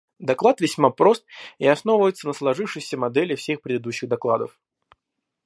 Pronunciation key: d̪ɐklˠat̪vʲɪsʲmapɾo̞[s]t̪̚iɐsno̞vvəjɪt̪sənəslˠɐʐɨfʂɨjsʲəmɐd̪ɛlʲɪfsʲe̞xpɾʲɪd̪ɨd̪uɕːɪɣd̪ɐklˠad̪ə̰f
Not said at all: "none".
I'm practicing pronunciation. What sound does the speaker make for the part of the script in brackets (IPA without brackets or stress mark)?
s